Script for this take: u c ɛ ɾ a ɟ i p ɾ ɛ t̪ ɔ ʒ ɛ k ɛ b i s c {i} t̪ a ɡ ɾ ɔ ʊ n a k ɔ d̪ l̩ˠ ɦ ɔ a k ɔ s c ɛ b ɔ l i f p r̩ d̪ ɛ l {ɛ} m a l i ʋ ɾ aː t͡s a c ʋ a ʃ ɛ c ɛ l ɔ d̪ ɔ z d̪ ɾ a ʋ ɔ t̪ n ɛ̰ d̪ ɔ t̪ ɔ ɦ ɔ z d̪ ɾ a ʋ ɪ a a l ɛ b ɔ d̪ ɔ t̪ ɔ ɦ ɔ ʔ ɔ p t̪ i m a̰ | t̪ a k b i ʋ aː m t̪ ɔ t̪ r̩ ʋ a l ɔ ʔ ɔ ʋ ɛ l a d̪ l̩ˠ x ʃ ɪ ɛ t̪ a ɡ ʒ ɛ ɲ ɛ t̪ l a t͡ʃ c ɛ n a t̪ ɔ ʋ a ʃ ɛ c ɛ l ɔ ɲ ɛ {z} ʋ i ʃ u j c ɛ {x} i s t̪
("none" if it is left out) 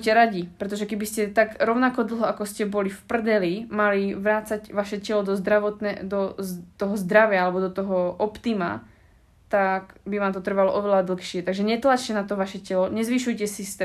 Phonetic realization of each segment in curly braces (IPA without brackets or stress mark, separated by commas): ɛ, i, z, s